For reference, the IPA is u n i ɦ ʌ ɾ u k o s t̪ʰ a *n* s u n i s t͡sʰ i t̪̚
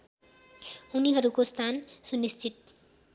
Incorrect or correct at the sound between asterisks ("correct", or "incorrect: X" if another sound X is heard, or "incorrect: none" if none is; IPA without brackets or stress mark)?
correct